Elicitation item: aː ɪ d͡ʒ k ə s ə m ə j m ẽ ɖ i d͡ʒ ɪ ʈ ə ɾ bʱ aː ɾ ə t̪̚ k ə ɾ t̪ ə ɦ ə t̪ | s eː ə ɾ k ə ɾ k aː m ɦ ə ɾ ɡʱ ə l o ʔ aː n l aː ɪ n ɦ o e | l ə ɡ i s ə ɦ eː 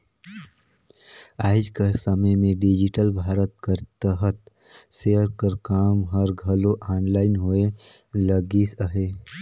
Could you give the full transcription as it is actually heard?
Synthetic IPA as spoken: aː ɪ d͡ʒ k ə s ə m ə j m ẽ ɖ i d͡ʒ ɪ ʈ ə l bʱ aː ɾ ə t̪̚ k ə ɾ t̪ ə ɦ ə t̪ | s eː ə ɾ k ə ɾ k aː m ɦ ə ɾ ɡʱ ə l o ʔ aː n l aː ɪ n ɦ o e | l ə ɡ i s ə ɦ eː